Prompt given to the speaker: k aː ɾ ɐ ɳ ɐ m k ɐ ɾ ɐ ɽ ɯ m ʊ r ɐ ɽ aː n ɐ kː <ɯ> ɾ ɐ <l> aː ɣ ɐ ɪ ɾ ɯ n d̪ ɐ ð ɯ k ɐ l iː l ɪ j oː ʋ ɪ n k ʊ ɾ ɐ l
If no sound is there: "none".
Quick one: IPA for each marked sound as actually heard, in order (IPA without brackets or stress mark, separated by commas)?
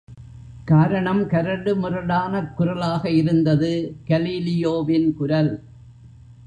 ʊ, l